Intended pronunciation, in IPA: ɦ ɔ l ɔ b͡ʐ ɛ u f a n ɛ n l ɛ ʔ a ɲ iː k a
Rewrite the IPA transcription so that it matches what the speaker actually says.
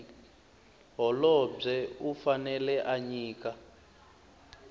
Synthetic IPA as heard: ɦ ɔ l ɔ b͡ʐ ɛ u f a n ɛ l ɛ ʔ a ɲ iː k a